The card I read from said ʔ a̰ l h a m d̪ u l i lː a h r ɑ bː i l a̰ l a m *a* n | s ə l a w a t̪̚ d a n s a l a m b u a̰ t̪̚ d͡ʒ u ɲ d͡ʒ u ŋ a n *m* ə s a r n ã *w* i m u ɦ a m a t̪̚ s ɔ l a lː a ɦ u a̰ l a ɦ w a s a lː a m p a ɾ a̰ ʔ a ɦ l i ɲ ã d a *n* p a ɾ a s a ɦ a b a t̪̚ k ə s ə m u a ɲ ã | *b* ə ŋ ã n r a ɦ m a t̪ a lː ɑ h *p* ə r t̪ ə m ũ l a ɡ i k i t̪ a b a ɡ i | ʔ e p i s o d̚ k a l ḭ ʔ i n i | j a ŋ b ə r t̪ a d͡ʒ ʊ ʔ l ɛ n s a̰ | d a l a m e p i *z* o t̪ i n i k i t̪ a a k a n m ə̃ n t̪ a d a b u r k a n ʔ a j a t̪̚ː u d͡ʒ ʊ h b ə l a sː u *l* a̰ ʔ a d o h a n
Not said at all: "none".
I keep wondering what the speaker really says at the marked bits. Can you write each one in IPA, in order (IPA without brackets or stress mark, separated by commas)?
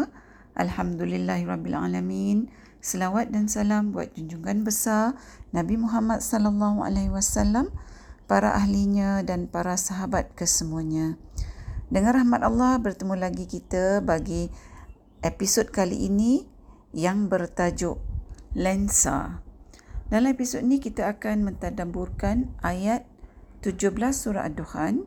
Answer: i, b, b, n, d, b, s, ɾ